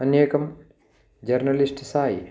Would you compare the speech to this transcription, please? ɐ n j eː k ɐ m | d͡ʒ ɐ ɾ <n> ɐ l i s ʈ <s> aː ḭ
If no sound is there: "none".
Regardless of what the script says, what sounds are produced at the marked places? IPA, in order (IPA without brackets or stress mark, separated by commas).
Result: n, s